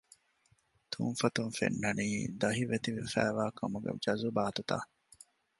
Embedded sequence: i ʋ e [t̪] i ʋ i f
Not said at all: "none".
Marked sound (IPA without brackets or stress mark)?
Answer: t̪